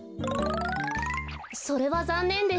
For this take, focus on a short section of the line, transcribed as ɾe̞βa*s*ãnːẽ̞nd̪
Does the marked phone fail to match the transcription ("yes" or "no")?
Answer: yes